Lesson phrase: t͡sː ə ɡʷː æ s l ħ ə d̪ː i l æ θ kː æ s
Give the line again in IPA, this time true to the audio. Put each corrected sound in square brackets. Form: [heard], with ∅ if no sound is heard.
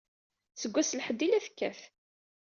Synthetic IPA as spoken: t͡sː ə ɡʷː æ s l ħ ə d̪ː i l æ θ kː æ [θ]